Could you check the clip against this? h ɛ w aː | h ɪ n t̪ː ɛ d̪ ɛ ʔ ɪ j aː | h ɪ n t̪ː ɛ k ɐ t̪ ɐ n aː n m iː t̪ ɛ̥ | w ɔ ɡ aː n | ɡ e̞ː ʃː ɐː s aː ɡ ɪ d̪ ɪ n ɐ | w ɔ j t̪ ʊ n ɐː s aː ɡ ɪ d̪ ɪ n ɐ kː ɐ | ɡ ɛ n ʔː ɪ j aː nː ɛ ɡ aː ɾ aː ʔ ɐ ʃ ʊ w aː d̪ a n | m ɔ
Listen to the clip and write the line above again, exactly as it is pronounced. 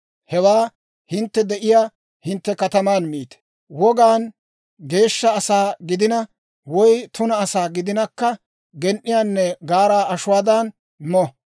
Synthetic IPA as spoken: h ɛ w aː | h ɪ n t̪ː ɛ d̪ ɛ ʔ ɪ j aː | h ɪ n t̪ː ɛ k ɐ t̪ ɐ m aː n m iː t̪ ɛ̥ | w ɔ ɡ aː n | ɡ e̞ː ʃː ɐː s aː ɡ ɪ d̪ ɪ n ɐ | w ɔ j t̪ ʊ n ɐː s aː ɡ ɪ d̪ ɪ n ɐ kː ɐ | ɡ ɛ n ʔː ɪ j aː nː ɛ ɡ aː ɾ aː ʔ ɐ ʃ ʊ w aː d̪ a n | m ɔ